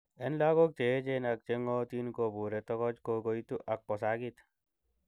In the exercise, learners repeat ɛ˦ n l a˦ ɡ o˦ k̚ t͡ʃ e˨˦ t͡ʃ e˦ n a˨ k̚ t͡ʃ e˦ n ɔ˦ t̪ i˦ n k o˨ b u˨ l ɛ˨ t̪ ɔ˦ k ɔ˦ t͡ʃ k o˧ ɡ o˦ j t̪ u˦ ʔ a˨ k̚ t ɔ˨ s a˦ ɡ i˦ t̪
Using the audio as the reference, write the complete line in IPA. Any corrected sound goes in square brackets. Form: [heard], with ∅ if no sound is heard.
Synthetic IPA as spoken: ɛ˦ n l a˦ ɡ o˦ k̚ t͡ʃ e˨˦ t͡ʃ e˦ n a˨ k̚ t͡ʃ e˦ [ŋ] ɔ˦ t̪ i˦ n k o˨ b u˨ [ɾ] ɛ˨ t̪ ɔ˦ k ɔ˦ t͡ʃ k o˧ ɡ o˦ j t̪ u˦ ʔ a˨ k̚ [p] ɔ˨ s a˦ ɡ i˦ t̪